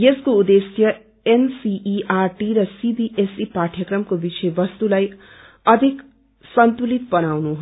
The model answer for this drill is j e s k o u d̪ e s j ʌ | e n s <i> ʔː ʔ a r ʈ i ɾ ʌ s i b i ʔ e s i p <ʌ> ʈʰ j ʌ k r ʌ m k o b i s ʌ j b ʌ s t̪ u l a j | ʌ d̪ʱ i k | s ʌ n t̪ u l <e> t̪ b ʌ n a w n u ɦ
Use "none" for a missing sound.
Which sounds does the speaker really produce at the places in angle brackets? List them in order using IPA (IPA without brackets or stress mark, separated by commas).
i, a, i